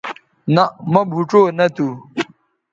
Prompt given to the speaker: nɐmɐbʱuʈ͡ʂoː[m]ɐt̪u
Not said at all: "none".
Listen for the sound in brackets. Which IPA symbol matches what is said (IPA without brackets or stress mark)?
n